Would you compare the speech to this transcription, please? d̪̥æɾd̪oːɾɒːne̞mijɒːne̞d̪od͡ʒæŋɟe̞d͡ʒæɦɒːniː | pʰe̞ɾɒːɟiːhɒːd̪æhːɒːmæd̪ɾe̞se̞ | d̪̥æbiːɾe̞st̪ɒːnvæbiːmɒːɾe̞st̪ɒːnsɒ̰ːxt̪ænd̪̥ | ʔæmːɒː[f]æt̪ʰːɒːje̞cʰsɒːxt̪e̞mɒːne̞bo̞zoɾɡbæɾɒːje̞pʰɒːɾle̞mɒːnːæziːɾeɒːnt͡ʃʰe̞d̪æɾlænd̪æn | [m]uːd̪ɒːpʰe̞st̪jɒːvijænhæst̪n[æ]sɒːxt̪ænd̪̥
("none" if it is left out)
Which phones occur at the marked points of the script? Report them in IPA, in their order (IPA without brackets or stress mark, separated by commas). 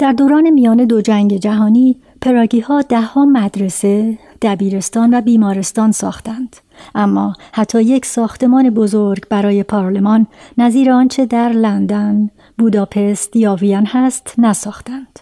h, b, æ